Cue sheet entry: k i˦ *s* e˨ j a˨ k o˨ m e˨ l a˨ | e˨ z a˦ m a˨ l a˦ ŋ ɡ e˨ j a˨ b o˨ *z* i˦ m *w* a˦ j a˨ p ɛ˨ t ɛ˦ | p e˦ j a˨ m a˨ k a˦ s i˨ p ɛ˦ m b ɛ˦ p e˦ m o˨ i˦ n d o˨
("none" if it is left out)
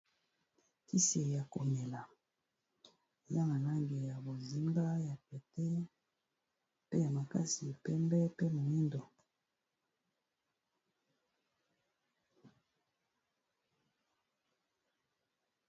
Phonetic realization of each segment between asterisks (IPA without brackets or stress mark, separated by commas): s, z, b